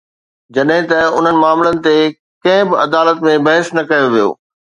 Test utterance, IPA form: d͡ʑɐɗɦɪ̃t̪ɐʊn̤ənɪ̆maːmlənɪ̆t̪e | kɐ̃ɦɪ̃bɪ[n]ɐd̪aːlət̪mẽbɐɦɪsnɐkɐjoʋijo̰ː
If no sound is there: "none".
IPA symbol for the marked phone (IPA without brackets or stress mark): none